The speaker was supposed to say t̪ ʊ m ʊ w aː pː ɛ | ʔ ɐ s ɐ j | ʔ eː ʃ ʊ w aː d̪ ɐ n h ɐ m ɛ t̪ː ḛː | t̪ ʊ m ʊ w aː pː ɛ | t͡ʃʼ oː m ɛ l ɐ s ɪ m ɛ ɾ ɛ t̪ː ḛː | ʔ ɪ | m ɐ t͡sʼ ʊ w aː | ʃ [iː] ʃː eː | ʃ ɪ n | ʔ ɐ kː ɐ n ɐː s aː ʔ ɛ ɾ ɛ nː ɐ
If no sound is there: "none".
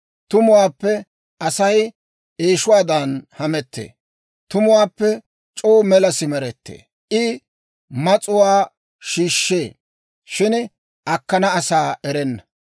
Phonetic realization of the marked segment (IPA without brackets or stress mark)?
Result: iː